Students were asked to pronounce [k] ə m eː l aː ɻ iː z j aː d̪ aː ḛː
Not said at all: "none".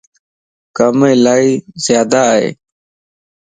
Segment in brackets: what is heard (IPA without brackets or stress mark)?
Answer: k